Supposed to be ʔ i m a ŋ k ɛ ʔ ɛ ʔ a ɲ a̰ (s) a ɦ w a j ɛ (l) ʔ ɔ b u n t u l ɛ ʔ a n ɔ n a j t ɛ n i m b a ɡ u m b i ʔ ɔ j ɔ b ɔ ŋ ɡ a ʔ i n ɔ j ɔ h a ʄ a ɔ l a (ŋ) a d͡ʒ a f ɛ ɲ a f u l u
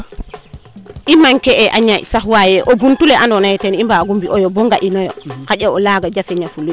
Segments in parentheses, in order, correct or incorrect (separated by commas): correct, incorrect, incorrect